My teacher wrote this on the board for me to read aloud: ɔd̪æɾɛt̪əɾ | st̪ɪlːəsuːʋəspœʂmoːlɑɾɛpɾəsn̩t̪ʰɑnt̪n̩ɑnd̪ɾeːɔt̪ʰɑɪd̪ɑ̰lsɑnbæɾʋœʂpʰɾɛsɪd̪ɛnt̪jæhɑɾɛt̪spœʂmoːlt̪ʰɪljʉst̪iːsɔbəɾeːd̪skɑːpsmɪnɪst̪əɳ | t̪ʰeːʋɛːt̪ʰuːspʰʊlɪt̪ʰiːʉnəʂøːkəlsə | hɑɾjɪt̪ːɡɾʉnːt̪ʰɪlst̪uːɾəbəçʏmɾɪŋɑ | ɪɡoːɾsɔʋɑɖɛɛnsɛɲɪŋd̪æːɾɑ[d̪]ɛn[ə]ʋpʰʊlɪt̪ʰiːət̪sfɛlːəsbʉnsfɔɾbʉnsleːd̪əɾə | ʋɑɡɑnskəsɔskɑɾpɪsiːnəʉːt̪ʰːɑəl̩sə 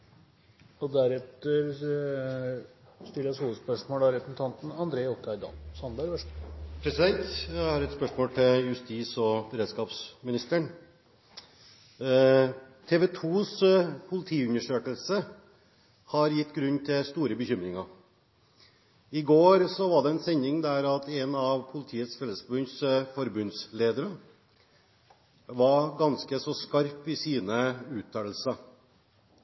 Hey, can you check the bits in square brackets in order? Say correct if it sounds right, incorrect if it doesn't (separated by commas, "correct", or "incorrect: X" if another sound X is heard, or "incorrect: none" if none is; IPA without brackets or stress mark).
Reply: incorrect: t̪, incorrect: ɑ